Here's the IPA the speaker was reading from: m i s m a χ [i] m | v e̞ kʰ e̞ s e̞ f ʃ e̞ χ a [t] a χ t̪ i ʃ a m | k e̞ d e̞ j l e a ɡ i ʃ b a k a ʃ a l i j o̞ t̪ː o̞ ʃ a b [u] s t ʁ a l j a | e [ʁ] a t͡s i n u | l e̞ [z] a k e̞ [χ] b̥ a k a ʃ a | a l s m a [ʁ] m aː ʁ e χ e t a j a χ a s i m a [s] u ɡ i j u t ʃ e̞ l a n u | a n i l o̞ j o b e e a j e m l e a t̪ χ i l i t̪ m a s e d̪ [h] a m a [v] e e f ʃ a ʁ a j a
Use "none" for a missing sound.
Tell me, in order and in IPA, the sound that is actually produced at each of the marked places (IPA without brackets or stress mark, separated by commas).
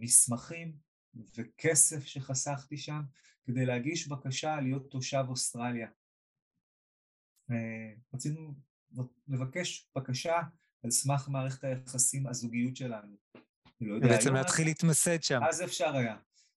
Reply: i, s, o, ʁ, v, ʃ, χ, z, ʃ, z